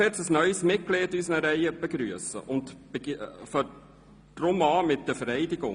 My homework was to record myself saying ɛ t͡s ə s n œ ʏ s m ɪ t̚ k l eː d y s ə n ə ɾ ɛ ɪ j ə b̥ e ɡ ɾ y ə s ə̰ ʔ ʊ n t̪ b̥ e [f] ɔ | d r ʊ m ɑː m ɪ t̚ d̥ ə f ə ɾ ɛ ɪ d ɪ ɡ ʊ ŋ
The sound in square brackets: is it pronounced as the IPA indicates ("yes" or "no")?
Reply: yes